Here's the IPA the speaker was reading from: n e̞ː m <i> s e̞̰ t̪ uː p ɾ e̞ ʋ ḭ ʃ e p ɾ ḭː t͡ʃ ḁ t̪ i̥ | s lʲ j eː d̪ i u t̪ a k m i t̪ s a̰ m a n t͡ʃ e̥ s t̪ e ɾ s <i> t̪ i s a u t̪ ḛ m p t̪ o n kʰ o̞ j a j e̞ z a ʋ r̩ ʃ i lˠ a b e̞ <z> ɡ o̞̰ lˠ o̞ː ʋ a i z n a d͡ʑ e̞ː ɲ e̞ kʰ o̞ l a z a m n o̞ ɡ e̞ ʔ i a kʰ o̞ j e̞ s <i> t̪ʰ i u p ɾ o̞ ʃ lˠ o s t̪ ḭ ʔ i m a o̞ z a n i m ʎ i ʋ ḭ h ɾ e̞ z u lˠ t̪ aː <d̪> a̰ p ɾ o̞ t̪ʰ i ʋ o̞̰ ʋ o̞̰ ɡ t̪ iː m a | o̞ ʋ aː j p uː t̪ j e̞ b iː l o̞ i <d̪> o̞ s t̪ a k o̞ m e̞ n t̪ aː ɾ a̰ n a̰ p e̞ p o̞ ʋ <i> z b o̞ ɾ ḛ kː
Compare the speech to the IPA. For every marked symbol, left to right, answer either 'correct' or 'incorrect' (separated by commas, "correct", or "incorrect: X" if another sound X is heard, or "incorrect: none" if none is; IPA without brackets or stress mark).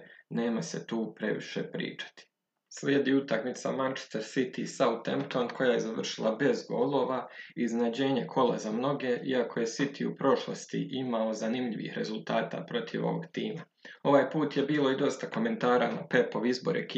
incorrect: a, correct, correct, correct, incorrect: t̪, correct, correct